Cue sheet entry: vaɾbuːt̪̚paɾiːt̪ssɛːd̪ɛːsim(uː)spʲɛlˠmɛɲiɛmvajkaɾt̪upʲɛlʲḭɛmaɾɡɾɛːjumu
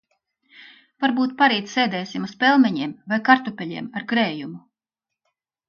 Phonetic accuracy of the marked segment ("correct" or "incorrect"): incorrect